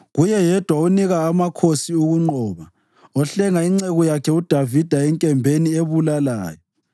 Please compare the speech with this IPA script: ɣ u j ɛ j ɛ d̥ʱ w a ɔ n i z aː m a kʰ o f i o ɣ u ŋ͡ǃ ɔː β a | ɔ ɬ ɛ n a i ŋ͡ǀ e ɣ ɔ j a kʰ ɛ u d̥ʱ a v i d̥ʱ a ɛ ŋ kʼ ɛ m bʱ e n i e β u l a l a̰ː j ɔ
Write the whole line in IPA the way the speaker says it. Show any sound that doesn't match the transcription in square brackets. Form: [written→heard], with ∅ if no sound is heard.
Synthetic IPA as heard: ɣ u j ɛ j ɛ d̥ʱ w a [ɔ→u] n i [z→ɣ] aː m a kʰ o [f→s] i [o→u] ɣ u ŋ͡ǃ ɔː β a | ɔ ɬ ɛ [n→ŋ] a i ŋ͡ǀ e ɣ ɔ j a kʰ ɛ u d̥ʱ a v i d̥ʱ a ɛ ŋ kʼ ɛ m bʱ e n i e β u l a l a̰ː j ɔ